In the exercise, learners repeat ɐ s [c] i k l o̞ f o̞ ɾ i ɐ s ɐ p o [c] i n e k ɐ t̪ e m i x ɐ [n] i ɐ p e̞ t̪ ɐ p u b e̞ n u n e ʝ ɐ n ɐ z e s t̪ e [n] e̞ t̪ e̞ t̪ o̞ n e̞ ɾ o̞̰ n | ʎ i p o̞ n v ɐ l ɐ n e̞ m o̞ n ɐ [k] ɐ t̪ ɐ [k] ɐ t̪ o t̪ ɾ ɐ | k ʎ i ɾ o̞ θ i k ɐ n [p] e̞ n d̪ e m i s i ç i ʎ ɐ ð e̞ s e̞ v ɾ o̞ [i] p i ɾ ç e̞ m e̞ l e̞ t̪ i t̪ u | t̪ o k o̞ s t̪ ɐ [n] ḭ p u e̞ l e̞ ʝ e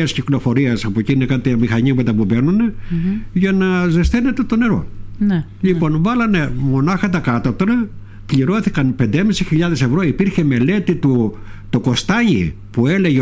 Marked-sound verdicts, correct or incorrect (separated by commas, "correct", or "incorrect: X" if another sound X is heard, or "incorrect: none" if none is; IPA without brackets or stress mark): correct, correct, incorrect: ɲ, correct, incorrect: x, correct, correct, correct, incorrect: ɲ